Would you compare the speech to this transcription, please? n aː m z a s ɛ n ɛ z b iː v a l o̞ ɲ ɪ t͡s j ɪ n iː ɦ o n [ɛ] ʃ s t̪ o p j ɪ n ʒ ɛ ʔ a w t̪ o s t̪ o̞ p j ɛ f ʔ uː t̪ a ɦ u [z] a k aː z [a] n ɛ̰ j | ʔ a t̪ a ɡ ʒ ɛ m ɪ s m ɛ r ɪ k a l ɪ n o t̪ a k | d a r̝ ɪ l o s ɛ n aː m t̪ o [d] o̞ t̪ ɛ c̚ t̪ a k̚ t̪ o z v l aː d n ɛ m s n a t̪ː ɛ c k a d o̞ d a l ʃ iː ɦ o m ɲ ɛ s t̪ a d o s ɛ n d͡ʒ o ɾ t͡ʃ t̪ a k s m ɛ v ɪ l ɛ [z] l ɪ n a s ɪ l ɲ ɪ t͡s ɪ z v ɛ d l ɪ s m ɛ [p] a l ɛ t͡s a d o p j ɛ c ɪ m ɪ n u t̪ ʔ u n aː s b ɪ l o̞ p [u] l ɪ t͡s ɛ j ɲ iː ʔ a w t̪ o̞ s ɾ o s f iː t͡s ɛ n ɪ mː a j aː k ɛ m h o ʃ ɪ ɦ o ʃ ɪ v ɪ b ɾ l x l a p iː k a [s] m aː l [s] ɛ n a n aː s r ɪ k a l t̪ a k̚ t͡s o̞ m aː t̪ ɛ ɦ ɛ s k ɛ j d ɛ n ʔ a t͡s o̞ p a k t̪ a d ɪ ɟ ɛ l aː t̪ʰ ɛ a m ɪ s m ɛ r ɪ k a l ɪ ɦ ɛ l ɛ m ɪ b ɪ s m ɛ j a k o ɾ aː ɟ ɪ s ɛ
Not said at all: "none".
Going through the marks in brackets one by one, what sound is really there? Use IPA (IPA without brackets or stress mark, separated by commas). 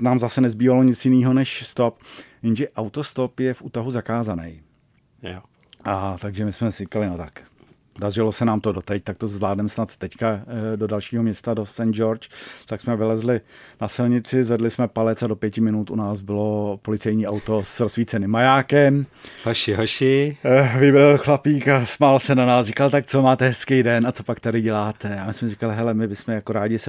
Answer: ɛ, z, a, d, z, p, o, s, s